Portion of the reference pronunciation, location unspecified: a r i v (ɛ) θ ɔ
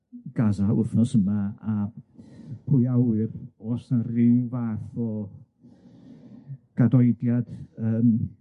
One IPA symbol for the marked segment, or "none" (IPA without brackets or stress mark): a